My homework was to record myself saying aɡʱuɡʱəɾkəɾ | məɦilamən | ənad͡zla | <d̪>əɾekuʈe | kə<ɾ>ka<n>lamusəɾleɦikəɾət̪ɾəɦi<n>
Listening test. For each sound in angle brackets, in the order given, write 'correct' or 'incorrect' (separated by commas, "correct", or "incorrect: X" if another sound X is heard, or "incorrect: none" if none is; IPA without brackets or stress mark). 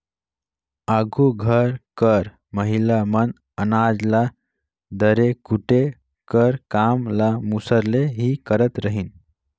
correct, correct, incorrect: m, correct